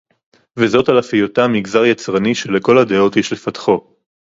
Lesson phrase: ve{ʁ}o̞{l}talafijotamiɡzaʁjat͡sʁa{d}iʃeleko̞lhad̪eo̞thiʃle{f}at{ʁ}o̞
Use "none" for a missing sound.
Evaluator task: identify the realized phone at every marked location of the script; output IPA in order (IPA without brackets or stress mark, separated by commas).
z, none, n, f, χ